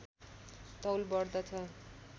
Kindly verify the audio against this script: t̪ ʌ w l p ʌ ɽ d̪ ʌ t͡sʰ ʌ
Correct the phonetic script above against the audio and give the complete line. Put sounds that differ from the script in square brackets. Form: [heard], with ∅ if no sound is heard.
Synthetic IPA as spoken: t̪ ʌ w l [b] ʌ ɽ d̪ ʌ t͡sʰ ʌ